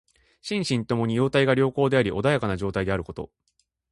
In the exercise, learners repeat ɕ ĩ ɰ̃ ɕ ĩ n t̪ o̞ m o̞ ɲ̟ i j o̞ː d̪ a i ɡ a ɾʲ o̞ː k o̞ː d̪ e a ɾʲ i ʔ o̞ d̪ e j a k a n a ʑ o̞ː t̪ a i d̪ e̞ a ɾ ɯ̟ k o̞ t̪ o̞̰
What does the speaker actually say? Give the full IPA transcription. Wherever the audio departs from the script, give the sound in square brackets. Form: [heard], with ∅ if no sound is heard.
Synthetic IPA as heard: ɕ ĩ ɰ̃ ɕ ĩ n t̪ o̞ m o̞ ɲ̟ i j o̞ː [t̪] a i ɡ a ɾʲ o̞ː k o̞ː d̪ e a ɾʲ i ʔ o̞ d̪ [a] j a k a n a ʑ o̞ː t̪ a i d̪ e̞ a ɾ ɯ̟ k o̞ t̪ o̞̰